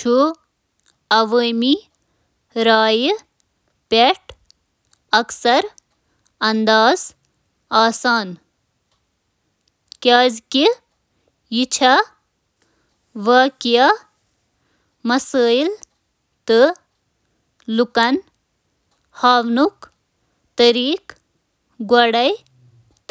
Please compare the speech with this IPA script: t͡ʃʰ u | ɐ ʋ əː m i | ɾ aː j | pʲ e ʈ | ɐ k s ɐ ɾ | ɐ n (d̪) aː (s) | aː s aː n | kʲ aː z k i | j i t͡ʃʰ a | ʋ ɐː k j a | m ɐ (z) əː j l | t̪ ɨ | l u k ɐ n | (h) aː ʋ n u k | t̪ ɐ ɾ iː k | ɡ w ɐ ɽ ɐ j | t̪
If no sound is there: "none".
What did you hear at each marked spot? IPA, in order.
d̪, z, s, h

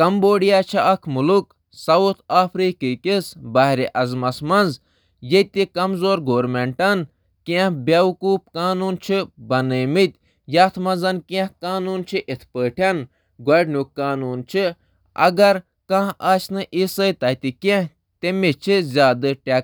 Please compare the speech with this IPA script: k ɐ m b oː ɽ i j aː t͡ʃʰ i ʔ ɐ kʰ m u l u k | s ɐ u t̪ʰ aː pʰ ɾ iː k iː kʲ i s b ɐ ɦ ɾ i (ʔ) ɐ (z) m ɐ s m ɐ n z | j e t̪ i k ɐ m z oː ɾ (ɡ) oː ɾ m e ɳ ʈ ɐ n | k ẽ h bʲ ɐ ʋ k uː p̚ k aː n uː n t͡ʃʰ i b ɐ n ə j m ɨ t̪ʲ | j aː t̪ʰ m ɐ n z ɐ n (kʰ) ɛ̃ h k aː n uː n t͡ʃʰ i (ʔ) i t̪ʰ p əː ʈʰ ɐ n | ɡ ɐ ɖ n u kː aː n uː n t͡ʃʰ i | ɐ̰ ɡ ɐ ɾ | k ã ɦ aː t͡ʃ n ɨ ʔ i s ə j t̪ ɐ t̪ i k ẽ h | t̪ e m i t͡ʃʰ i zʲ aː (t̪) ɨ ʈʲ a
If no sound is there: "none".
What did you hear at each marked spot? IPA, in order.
ʔ, z, ɡ, k, ʔ, d̪

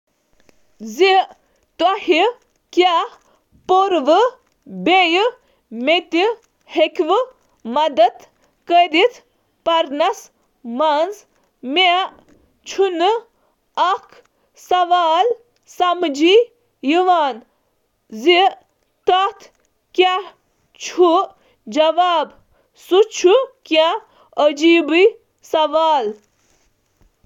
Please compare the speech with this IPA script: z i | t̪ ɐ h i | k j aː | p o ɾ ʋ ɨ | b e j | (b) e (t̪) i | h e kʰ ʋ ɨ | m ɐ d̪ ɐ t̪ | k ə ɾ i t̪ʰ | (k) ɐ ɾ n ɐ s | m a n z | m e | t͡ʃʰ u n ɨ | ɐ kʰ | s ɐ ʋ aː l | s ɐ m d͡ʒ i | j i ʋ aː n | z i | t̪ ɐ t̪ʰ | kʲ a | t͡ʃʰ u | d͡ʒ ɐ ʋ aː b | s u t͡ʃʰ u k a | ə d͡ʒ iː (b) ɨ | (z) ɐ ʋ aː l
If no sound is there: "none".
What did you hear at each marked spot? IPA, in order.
m, t̪, p, b, s

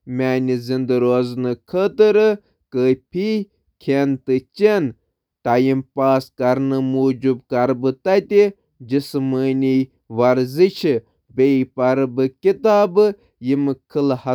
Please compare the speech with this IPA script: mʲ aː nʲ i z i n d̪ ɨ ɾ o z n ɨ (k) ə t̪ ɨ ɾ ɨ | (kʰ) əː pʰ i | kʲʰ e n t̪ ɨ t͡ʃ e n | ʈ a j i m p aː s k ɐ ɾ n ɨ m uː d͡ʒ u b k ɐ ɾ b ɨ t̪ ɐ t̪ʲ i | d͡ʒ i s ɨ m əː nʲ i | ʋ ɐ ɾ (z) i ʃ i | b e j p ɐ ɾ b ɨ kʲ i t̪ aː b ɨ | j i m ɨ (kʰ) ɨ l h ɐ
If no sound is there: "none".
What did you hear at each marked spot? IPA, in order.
kʰ, k, z, kʰ

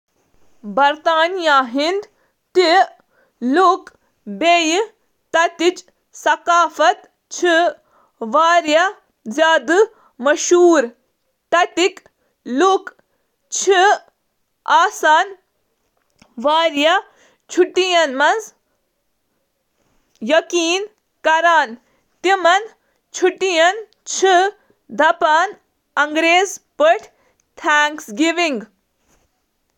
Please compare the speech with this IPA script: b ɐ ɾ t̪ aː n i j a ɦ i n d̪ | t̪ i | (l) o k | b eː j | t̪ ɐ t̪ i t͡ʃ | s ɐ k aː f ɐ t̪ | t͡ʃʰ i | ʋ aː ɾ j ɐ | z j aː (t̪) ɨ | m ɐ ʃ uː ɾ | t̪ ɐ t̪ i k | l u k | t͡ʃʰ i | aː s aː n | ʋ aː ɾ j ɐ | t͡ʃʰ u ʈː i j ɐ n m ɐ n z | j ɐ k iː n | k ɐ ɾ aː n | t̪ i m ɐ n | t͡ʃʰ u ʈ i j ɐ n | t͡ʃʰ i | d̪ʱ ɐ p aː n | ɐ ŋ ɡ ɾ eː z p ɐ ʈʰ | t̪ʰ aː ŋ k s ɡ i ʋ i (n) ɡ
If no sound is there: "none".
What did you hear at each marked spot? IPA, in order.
l, d̪, ŋ

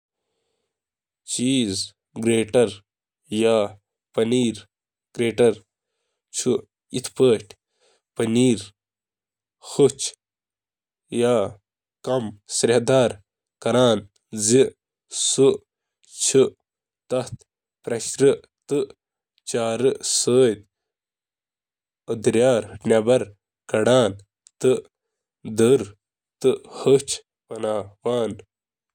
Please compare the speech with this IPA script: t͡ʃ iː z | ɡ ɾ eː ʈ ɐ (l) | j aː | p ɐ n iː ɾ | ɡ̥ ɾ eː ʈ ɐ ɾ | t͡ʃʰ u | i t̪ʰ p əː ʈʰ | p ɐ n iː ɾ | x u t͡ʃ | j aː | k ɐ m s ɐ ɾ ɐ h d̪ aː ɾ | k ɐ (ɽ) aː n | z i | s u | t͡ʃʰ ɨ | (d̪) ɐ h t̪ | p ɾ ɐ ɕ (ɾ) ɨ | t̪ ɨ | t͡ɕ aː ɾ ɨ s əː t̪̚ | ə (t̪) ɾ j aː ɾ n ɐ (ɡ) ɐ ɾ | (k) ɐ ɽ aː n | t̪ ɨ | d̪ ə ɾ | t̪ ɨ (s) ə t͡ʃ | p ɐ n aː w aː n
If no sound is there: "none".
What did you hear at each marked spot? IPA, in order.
ɾ, ɾ, t̪, ɾ, d̪, b, k, h

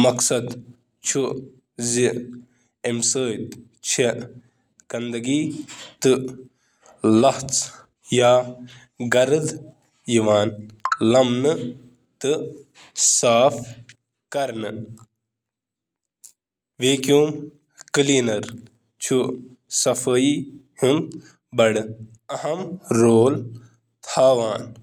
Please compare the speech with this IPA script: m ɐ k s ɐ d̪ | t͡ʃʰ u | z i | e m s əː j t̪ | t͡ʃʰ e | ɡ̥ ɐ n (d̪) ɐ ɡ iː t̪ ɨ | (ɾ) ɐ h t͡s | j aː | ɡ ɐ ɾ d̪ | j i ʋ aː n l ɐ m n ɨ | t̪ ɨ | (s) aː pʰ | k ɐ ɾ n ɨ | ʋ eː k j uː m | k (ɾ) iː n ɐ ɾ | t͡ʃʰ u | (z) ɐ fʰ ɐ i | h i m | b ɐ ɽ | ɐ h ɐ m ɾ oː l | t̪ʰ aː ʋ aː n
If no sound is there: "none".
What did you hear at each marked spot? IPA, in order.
d̪, l, s, l, s

